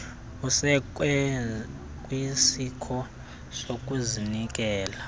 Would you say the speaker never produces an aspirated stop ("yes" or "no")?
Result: no